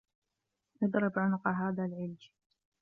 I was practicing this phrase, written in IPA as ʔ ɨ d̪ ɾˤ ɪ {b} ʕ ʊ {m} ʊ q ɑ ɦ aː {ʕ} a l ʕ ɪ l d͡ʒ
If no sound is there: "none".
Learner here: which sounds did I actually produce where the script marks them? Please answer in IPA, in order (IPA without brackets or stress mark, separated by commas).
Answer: b, n, ð